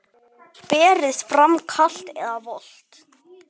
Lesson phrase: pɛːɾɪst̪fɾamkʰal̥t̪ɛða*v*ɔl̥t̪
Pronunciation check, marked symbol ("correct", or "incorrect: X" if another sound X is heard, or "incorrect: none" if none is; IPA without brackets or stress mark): correct